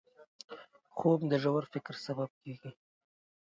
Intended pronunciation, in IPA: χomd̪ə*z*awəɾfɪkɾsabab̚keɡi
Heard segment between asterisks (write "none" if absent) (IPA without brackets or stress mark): ʒ